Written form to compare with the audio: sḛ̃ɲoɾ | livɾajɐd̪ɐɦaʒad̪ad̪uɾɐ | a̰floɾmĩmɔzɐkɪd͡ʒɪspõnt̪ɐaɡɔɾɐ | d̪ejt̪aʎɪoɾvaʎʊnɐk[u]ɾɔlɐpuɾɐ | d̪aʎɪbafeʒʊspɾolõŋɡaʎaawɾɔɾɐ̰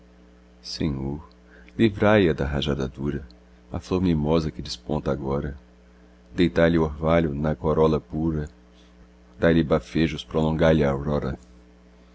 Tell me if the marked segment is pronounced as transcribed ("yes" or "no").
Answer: no